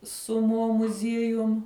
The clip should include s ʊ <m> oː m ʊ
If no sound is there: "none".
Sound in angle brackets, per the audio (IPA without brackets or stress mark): m